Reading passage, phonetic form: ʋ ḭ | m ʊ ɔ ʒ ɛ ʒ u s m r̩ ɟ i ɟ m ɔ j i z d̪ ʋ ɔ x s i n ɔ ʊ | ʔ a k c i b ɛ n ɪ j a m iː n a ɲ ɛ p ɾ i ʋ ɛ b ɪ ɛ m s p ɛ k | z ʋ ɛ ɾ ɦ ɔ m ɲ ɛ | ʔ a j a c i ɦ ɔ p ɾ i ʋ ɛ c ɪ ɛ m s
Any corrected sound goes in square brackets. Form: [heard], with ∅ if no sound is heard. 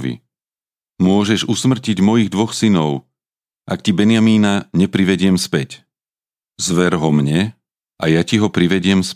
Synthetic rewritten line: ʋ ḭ | m ʊ ɔ ʒ ɛ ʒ u s m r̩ [c] i ɟ m ɔ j i [ɣ] d̪ ʋ ɔ x s i n ɔ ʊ | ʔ a k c i b ɛ n ɪ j a m iː n a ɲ ɛ p ɾ i ʋ ɛ [ɟ] ɪ ɛ m s p ɛ [c] | z ʋ ɛ ɾ ɦ ɔ m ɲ ɛ | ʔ a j a c i ɦ ɔ p ɾ i ʋ ɛ [ɟ] ɪ ɛ m s